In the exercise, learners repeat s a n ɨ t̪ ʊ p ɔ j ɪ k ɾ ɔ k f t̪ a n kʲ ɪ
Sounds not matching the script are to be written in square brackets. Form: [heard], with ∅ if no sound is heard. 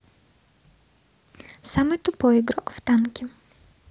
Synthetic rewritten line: s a [m] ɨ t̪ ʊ p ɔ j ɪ [ɡ] ɾ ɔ k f t̪ a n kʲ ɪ